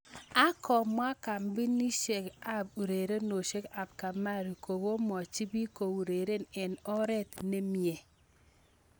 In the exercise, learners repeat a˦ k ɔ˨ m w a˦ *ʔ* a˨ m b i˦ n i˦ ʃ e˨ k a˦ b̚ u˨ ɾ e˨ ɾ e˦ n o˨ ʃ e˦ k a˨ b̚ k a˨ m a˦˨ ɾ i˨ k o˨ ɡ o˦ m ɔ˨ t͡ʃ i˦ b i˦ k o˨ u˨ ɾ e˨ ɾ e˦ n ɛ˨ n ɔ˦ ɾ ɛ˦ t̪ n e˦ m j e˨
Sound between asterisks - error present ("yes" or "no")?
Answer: yes